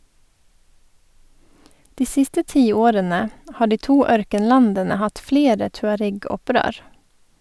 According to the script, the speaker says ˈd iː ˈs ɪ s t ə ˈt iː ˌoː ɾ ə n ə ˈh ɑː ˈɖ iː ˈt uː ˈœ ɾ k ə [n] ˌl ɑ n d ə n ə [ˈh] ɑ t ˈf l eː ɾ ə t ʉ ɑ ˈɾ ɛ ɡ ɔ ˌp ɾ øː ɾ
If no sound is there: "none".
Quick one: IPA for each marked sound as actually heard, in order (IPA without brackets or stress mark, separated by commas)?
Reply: n, h